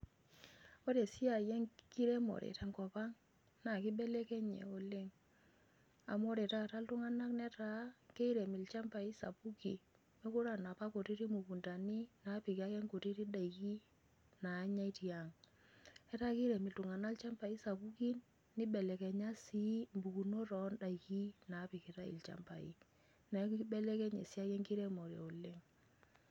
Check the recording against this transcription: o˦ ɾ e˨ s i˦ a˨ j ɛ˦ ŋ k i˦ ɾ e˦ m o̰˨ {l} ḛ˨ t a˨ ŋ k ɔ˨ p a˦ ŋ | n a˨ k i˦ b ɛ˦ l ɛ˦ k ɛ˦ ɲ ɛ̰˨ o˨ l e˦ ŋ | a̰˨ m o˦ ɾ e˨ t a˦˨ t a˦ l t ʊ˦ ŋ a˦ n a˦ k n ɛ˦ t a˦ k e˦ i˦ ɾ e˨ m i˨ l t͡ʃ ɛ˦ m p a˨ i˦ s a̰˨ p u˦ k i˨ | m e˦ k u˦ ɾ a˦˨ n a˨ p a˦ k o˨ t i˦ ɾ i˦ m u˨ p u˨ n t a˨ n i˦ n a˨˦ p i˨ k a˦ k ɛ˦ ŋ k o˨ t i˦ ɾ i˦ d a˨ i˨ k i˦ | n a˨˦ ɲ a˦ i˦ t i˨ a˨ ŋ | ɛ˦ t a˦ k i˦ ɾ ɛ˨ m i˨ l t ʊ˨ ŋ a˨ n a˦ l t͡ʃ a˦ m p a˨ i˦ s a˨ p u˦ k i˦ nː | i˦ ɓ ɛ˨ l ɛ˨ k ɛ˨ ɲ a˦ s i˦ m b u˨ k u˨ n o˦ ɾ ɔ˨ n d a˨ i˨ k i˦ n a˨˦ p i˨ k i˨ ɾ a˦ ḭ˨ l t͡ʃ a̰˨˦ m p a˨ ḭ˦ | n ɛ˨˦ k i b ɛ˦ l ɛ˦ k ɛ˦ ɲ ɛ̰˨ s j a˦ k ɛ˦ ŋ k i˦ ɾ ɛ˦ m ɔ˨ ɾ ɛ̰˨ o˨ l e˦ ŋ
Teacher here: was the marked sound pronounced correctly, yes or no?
no